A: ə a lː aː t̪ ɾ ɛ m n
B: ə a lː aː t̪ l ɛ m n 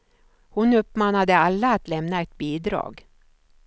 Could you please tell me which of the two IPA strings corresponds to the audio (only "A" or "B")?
B